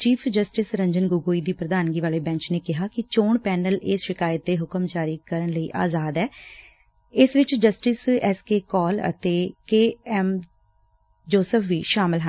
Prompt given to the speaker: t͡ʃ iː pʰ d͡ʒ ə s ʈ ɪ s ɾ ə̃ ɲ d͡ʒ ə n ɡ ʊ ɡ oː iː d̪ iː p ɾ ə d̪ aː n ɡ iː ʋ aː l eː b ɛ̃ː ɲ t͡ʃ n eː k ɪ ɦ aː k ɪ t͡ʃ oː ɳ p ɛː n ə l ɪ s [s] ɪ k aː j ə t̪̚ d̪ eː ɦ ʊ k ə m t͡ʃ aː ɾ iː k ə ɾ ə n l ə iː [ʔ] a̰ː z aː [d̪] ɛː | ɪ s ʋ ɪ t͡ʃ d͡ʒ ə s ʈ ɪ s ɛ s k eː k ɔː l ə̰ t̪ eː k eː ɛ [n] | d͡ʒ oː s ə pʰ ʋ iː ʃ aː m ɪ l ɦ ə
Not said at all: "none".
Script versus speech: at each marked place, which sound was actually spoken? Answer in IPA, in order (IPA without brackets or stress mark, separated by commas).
ʃ, ʔ, d̪, m